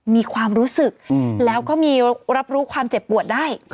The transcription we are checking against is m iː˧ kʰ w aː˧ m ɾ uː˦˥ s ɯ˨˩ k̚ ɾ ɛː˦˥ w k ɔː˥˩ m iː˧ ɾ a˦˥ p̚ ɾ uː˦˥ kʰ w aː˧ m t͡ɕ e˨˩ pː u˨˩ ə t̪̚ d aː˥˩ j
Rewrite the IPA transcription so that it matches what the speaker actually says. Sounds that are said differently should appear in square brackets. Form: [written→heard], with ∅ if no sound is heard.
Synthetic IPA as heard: m iː˧ kʰ w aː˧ m ɾ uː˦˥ s ɯ˨˩ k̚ [ɾ→l] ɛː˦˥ w k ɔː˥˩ m iː˧ ɾ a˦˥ p̚ ɾ uː˦˥ kʰ w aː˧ m t͡ɕ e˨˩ pː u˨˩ ə t̪̚ d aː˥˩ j